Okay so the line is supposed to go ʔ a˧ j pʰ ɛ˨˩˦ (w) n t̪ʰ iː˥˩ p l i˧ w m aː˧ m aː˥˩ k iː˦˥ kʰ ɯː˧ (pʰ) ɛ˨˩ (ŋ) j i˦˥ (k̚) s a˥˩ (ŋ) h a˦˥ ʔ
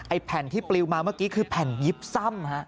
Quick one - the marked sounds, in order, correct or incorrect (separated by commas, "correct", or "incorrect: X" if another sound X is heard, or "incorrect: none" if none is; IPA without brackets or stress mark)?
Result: incorrect: none, correct, incorrect: n, incorrect: p̚, incorrect: m